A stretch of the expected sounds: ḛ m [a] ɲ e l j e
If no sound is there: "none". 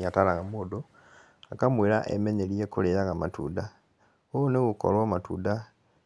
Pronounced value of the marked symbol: e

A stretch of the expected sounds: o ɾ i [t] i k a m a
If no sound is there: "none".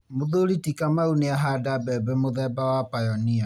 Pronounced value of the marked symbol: t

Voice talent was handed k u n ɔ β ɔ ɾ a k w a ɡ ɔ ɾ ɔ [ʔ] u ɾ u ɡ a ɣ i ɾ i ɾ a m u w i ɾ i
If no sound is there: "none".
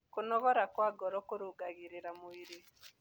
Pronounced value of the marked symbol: k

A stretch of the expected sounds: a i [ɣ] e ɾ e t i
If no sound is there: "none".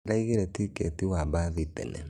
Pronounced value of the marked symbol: ɣ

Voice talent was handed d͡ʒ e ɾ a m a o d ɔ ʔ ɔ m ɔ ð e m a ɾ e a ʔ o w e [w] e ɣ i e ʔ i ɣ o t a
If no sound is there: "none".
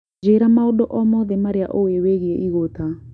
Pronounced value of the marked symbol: w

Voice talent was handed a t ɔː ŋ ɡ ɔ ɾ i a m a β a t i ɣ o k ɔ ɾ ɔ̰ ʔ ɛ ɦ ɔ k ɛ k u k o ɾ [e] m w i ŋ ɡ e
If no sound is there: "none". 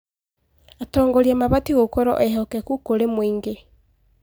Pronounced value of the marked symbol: e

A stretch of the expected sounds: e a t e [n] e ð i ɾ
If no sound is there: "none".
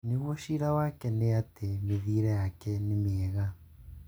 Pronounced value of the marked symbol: m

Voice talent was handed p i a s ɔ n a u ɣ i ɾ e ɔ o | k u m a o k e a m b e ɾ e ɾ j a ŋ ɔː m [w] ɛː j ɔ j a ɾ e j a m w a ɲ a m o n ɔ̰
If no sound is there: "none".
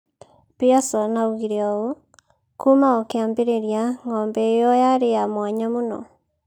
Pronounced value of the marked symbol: b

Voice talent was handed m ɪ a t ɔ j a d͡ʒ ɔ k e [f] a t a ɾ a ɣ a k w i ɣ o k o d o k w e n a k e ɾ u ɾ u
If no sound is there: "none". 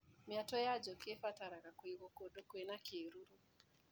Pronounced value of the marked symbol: f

